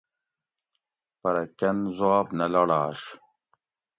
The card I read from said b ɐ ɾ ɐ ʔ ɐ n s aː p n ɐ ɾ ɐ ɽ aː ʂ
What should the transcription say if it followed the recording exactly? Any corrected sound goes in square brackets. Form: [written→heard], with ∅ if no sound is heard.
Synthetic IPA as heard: [b→p] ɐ ɾ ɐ [ʔ→k] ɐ n [s→z] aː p n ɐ [ɾ→l] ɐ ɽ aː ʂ

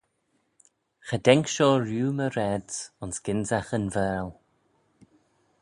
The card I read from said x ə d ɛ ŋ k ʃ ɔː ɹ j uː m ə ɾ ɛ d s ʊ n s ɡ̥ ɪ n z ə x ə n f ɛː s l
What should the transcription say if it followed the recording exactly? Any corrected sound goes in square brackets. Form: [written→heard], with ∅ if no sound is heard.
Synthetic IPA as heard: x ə d ɛ ŋ k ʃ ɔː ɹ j uː m ə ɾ ɛ d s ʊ n s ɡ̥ ɪ n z [ə→a] x ə n [f→v] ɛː [s→∅] l

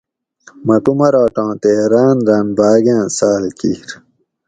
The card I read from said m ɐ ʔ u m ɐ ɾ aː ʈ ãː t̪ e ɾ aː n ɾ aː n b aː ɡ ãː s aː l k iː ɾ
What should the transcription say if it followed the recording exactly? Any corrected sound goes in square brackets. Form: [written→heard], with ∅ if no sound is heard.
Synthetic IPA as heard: m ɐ [ʔ→k] u m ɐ ɾ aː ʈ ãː t̪ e ɾ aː n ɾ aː n b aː ɡ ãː s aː l k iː ɾ

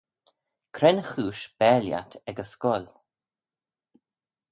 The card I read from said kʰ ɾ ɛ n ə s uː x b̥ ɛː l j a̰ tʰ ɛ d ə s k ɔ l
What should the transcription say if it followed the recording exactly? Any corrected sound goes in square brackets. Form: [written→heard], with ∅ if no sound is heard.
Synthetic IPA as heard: kʰ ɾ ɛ n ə [s→x] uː [x→ʃ] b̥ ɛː l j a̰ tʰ ɛ [d→ɡ] ə s k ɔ l

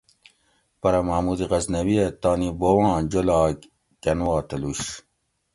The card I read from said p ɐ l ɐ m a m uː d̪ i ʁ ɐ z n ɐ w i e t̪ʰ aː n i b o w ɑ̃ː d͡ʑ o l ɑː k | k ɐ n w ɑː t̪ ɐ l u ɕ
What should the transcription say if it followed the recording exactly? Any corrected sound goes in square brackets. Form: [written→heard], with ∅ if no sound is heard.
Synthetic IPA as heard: p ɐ [l→ɾ] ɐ m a m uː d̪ i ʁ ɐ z n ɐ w i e [t̪ʰ→t̪] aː n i b o w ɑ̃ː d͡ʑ o l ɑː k | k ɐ n w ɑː t̪ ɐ l u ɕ

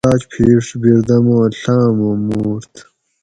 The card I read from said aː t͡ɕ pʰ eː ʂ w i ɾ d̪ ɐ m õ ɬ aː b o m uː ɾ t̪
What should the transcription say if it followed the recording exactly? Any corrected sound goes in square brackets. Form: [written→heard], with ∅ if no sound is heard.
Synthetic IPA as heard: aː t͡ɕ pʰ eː ʂ [w→b] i ɾ d̪ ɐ m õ ɬ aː [b→m] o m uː ɾ t̪

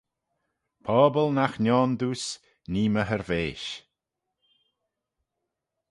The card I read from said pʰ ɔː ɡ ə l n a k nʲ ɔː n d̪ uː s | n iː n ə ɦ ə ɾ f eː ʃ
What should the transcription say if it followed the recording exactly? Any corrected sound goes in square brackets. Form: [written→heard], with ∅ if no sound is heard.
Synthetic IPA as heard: pʰ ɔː [ɡ→b] ə l n a [k→x] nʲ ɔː n d̪ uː s | n iː [n→m] ə ɦ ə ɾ [f→v] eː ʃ

